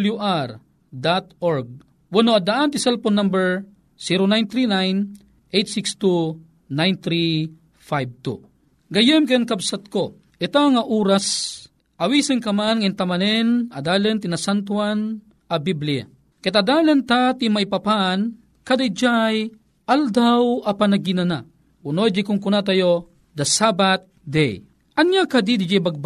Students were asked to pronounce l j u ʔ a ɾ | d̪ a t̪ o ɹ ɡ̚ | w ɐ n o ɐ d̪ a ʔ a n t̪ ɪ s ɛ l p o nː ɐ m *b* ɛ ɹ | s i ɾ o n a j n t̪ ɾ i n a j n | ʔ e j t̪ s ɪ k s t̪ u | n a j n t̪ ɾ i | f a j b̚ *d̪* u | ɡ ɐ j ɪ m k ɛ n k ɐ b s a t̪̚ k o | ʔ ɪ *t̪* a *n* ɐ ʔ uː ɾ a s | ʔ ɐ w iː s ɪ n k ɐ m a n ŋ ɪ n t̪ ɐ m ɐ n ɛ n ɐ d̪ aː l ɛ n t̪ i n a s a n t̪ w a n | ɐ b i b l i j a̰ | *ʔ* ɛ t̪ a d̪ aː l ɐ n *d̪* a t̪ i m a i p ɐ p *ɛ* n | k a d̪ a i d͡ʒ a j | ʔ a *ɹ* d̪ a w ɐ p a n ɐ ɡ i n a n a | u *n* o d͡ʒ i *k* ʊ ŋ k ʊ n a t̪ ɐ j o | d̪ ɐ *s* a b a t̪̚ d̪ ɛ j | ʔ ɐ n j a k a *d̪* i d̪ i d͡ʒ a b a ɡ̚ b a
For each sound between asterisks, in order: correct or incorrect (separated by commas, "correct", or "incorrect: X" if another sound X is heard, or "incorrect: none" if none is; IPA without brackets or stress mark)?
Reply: correct, incorrect: t̪, correct, incorrect: ŋ, incorrect: k, incorrect: t̪, incorrect: a, incorrect: l, correct, correct, correct, correct